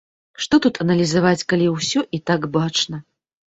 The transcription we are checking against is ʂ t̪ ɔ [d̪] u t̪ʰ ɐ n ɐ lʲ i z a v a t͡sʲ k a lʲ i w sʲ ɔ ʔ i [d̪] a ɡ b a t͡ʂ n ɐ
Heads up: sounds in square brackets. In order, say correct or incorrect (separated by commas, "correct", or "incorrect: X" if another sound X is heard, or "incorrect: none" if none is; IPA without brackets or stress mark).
incorrect: t̪, incorrect: t̪